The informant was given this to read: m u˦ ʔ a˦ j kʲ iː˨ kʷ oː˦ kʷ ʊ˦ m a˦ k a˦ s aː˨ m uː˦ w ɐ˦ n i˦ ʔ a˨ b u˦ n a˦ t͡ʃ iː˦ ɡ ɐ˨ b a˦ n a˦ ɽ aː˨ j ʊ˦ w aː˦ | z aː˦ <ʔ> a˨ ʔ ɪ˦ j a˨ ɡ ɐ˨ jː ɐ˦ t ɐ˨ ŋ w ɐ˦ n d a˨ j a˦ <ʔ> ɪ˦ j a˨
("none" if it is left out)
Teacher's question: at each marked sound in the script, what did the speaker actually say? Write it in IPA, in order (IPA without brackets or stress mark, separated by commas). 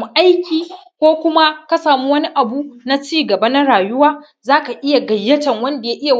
k, ʔ